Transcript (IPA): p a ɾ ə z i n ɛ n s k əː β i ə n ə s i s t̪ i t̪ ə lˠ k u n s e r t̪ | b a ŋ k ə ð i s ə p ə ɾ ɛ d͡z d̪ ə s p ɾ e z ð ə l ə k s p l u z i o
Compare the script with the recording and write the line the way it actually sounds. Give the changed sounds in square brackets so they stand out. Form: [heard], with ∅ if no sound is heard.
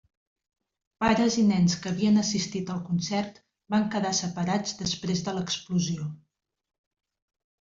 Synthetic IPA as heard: p a ɾ ə z i n ɛ n s k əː β i ə n ə s i s t̪ i t̪ ə lˠ k u n s [ɛ] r t̪ | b a ŋ k ə ð [a] s ə p ə ɾ [a] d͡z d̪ ə s p ɾ e z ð ə l ə k s p l u z i o